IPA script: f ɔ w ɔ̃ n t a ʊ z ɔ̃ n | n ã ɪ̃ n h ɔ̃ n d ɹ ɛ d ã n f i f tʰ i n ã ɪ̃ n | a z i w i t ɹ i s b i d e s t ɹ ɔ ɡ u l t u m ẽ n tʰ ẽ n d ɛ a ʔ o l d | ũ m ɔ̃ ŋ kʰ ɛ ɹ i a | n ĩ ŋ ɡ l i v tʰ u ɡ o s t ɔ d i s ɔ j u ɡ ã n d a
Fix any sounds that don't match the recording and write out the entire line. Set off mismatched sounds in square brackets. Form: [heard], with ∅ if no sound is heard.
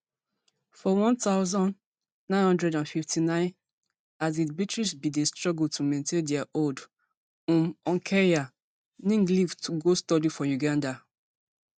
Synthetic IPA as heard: f ɔ w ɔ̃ n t a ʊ z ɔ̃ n | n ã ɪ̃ n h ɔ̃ n d ɹ ɛ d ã n f i f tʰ i n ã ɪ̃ n | a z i [b] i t ɹ i s b i d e s t ɹ ɔ ɡ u l t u m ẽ n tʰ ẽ n d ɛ a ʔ o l d | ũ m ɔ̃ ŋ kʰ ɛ ɹ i a | n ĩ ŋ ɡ l i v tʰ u ɡ o s t ɔ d i [f] ɔ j u ɡ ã n d a